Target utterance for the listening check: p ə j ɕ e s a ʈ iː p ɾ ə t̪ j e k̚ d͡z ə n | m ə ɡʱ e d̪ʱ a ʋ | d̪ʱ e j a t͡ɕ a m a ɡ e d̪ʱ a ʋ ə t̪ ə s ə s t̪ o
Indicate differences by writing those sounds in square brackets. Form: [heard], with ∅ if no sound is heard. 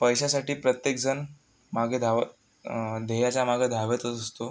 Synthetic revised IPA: p ə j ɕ [a] s a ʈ iː p ɾ ə t̪ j e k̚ d͡z ə n | m [a] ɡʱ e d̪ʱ a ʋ | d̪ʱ e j a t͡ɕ a m a ɡ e d̪ʱ a ʋ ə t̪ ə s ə s t̪ o

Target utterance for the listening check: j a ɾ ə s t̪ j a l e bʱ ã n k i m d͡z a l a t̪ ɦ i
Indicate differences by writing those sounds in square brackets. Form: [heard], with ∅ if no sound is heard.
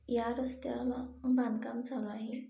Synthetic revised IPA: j a ɾ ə s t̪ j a l [a] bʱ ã n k [a] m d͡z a l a [∅] ɦ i

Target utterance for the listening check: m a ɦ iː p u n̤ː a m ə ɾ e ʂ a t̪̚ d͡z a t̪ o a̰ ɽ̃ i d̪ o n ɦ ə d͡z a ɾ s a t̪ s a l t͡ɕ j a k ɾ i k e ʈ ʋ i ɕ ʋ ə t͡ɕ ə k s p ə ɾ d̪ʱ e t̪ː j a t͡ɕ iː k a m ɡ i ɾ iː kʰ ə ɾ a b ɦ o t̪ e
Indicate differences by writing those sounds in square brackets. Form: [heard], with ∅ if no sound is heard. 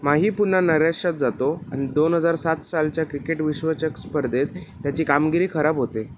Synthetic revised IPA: m a ɦ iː p u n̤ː a [n] ə ɾ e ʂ a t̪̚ d͡z a t̪ o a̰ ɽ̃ i d̪ o n ɦ ə d͡z a ɾ s a t̪ s a l t͡ɕ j a k ɾ i k e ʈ ʋ i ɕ ʋ ə t͡ɕ ə k s p ə ɾ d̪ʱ e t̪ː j a t͡ɕ iː k a m ɡ i ɾ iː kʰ ə ɾ a b ɦ o t̪ e

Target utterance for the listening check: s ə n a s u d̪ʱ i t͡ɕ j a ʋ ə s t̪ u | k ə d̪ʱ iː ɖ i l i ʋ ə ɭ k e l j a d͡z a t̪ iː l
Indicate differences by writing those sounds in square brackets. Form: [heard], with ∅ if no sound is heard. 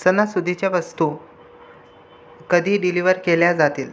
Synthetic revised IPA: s ə n a s u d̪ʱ i t͡ɕ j a ʋ ə s t̪ u | k ə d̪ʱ iː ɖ i l i ʋ ə [ɾ] k e l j a d͡z a t̪ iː l

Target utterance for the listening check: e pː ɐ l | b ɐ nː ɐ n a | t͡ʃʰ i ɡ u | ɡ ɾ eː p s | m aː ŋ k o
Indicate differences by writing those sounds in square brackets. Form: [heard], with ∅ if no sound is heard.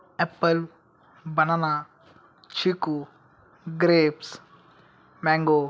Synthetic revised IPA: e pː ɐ l | b ɐ [n] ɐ n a | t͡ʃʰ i [k] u | ɡ ɾ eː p s | m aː ŋ [ɡ] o

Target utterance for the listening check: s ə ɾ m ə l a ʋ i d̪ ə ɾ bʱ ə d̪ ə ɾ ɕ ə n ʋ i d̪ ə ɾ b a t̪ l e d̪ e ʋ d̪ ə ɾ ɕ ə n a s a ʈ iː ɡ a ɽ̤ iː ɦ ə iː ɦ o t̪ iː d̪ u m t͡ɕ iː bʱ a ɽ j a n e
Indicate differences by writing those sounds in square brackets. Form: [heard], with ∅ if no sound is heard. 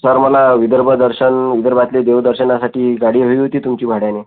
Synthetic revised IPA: s ə ɾ m ə l a ʋ i d̪ ə ɾ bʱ ə d̪ ə ɾ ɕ ə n ʋ i d̪ ə ɾ b a t̪ l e d̪ e ʋ d̪ ə ɾ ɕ ə n a s a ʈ iː ɡ a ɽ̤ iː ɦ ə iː ɦ o t̪ iː [t̪] u m t͡ɕ iː bʱ a ɽ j a n e

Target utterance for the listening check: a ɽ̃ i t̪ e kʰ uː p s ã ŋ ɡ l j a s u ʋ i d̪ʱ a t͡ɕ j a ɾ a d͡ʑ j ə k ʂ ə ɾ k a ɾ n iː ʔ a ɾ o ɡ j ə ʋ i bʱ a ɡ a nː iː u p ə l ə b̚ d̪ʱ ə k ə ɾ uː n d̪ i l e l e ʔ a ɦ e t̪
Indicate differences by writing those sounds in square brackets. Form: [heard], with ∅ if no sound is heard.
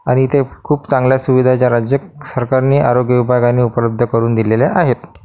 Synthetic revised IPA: a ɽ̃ i t̪ e kʰ uː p [t͡s] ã ŋ ɡ l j a s u ʋ i d̪ʱ a t͡ɕ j a ɾ a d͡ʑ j ə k [s] ə ɾ k a ɾ n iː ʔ a ɾ o ɡ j ə ʋ i bʱ a ɡ a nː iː u p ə l ə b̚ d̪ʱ ə k ə ɾ uː n d̪ i l e l e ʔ a ɦ e t̪

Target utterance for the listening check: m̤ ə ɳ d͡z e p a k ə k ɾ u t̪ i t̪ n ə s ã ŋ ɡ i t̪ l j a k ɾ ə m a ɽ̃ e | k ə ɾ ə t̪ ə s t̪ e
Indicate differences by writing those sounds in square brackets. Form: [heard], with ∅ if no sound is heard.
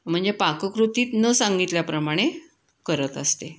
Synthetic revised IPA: m̤ ə ɳ d͡z e p a k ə k ɾ u t̪ [iː] t̪ n ə s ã ŋ ɡ i t̪ l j a [p] ɾ ə m a ɽ̃ e | k ə ɾ ə t̪ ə s t̪ e

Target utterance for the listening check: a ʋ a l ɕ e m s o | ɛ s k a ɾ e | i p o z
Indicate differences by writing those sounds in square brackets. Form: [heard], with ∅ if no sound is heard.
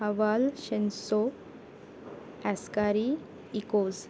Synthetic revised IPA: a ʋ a l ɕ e [n] s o | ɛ s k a ɾ [i] | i [k] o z

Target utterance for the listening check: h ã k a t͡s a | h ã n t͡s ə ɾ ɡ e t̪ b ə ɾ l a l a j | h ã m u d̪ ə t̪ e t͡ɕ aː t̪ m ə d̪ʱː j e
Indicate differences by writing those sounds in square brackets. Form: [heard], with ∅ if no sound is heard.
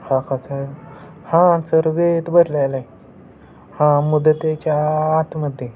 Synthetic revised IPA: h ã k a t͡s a | h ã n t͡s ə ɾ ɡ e t̪ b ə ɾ l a l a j | h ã m u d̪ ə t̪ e t͡ɕ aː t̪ m ə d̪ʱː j e

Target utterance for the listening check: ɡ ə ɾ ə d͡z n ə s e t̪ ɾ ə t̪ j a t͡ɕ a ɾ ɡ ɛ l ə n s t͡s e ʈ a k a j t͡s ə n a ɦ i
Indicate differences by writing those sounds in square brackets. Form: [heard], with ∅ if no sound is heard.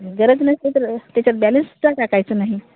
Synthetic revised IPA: ɡ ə ɾ ə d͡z n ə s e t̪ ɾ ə t̪ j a t͡ɕ a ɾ [b] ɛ l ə n s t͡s [a] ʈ a k a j t͡s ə n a ɦ i

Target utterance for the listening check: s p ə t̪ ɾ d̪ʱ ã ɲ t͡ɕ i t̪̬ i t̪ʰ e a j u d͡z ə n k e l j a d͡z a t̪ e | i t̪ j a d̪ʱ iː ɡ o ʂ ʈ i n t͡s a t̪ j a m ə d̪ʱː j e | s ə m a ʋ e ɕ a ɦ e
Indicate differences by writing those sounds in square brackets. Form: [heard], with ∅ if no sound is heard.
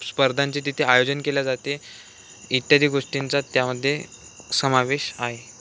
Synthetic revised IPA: s p ə [∅] ɾ d̪ʱ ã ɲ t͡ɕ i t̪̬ i t̪ʰ e a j [o] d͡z ə n k e l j a d͡z a t̪ e | i t̪ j a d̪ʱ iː ɡ o ʂ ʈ i n t͡s a t̪ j a m ə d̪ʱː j e | s ə m a ʋ e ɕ a ɦ e

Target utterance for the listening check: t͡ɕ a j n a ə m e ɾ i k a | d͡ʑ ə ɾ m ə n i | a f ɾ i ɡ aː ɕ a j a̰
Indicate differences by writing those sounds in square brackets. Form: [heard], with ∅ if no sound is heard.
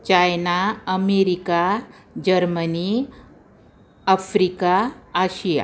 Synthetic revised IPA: t͡ɕ a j n a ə m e ɾ i k a | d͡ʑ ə ɾ m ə n i | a f ɾ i [k] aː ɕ [i] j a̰

